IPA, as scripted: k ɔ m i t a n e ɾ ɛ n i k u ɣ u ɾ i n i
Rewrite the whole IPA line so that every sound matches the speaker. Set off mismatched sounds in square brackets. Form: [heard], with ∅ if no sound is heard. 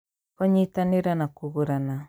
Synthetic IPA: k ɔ [ɲ] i t a n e ɾ [a] n [a] k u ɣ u ɾ [a] n [a]